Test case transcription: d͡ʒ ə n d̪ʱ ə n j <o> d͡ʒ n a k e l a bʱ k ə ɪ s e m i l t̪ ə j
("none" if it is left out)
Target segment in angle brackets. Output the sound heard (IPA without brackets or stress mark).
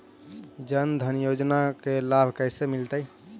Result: o